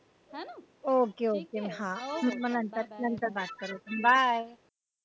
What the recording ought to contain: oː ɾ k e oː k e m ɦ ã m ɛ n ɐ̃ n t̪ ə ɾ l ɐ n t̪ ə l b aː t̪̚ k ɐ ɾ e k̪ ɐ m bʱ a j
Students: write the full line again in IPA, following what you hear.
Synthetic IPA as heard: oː k e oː k e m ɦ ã m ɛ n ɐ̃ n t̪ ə ɾ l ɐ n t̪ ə ɾ b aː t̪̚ k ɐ ɾ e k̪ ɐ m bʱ a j